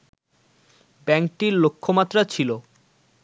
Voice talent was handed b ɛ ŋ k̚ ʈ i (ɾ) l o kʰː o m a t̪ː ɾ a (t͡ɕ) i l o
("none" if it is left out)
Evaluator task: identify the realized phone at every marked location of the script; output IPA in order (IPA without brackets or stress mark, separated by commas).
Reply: ɾ, t͡ɕʰ